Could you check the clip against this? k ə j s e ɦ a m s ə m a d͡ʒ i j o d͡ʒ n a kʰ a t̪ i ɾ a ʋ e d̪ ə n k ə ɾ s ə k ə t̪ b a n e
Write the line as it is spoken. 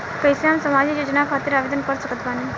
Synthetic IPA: k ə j s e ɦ a m s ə m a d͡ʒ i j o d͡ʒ n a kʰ a t̪ i ɾ a ʋ e d̪ ə n k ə ɾ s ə k ə t̪ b a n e